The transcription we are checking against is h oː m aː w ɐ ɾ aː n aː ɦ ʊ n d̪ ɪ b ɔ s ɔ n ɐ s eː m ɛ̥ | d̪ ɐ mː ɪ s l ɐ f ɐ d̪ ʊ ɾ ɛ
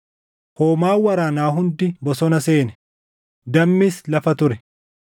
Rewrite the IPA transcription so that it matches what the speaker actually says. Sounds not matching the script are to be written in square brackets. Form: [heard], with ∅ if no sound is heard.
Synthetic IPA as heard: h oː m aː w ɐ ɾ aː n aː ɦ ʊ n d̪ ɪ b ɔ s ɔ n ɐ s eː [n] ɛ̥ | d̪ ɐ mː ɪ s l ɐ f ɐ [t̪] ʊ ɾ ɛ